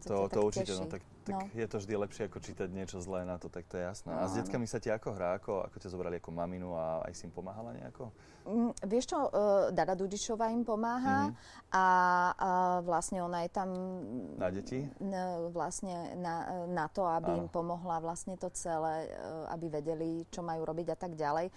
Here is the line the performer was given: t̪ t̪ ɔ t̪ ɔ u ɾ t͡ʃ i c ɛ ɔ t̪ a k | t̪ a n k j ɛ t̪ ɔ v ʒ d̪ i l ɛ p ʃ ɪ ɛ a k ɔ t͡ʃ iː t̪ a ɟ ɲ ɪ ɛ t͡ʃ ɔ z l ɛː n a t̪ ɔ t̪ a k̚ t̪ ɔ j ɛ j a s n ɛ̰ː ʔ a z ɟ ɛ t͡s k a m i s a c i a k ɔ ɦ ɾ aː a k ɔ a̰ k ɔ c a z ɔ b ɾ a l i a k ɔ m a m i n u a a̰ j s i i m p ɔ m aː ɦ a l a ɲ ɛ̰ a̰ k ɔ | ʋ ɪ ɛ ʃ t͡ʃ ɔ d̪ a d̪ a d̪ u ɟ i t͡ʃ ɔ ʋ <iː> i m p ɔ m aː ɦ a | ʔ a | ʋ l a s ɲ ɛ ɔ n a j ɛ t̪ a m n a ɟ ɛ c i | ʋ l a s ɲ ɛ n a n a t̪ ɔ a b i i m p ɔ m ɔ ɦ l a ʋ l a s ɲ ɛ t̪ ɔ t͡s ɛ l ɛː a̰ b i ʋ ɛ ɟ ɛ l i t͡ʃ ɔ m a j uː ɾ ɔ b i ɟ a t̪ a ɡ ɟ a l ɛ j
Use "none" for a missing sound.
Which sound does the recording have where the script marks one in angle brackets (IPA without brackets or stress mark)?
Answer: aː